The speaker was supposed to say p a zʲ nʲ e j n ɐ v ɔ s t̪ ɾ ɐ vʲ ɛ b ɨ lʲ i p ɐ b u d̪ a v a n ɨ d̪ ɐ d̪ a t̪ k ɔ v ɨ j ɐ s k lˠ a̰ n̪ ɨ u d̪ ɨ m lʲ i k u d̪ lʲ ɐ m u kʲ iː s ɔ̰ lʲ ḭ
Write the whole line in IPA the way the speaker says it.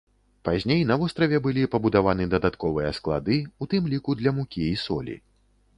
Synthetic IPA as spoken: p a zʲ nʲ e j n ɐ v ɔ s t̪ ɾ ɐ vʲ ɛ b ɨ lʲ i p ɐ b u d̪ a v a n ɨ d̪ ɐ d̪ a t̪ k ɔ v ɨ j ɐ s k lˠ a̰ d̪ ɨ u t̪ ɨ m lʲ i k u d̪ lʲ ɐ m u kʲ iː s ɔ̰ lʲ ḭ